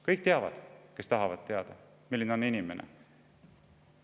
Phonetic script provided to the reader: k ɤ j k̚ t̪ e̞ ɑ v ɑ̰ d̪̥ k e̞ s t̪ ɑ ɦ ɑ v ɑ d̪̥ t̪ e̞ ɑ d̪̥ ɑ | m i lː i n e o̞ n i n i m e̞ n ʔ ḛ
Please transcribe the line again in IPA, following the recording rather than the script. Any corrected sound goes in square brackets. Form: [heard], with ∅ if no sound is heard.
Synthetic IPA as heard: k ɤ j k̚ t̪ e̞ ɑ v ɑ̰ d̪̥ k e̞ s t̪ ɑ ɦ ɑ v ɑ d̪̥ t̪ e̞ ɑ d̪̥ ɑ | m i lː i n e o̞ n i n i m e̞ n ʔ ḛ